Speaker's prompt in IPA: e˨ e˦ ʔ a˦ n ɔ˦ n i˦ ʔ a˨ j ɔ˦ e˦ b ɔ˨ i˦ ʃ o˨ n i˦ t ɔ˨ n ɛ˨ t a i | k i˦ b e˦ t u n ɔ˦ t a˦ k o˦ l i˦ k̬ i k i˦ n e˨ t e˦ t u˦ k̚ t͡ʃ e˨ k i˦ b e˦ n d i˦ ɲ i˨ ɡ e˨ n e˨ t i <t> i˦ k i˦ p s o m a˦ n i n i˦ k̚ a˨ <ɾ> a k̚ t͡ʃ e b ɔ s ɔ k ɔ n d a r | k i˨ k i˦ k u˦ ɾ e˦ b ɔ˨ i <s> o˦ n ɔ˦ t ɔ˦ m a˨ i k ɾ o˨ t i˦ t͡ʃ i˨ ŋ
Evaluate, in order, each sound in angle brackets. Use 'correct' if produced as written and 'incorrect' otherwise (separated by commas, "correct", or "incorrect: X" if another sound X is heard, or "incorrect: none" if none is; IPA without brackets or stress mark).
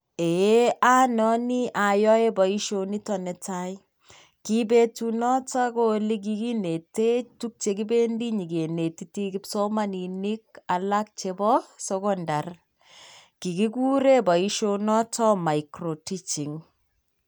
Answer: correct, incorrect: l, incorrect: ʃ